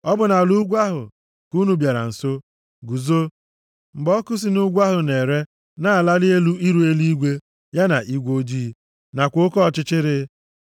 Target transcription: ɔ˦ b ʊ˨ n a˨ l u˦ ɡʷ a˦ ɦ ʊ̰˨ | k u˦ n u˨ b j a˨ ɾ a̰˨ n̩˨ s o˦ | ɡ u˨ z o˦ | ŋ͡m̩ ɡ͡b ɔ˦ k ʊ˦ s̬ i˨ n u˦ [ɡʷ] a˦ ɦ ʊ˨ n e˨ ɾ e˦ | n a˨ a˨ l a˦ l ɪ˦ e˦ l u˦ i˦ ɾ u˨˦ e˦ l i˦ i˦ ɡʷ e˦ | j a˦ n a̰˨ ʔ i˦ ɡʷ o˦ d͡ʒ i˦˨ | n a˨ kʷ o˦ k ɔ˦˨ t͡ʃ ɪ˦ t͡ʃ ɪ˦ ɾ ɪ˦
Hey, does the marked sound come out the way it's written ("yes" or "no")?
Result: yes